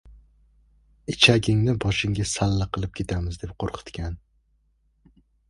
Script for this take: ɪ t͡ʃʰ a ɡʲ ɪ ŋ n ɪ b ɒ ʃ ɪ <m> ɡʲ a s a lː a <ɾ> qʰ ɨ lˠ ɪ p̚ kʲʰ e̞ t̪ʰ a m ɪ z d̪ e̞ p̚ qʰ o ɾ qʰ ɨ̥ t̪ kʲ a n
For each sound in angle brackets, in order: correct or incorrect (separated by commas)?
incorrect, incorrect